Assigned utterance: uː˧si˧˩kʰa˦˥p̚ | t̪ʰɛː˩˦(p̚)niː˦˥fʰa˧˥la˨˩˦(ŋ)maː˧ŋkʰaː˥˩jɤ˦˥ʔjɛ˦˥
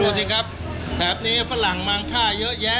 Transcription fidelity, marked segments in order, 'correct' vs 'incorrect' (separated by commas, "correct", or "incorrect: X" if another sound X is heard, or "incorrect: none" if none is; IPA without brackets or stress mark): correct, correct